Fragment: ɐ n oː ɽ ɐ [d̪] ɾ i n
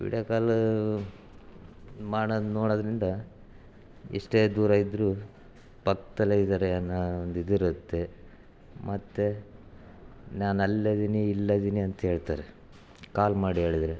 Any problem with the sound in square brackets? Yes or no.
no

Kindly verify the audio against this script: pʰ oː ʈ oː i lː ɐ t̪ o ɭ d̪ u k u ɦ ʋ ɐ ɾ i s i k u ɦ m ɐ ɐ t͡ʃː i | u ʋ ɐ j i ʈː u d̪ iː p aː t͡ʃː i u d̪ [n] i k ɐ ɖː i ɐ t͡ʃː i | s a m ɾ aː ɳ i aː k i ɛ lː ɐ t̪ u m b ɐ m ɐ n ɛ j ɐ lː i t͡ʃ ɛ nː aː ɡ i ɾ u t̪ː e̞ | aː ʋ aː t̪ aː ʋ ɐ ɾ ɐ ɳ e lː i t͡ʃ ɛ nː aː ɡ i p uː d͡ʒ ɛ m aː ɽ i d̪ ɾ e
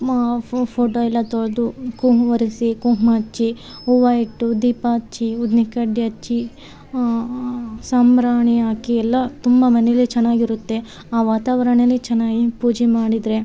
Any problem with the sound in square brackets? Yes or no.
no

